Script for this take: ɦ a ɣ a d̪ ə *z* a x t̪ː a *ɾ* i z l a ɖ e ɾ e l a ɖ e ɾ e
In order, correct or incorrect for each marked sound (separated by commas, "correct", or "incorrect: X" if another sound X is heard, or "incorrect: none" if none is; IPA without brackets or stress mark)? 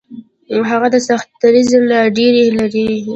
incorrect: s, correct